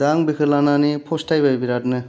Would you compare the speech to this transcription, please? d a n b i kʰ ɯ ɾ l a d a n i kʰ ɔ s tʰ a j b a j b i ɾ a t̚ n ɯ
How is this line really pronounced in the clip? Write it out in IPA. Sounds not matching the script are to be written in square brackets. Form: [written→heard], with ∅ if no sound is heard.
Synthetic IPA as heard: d a [n→ŋ] b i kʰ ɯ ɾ l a [d→n] a n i [kʰ→pʰ] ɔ s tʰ a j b a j b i ɾ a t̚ n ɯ